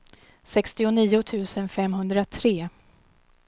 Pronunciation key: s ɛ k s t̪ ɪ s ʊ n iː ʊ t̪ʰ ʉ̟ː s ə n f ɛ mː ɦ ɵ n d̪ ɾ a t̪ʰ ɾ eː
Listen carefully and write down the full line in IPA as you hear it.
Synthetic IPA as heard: s ɛ k s t̪ ɪ ʊ n iː ʊ t̪ʰ ʉ̟ː s ə n f ɛ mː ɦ ɵ n d̪ ɾ a t̪ʰ ɾ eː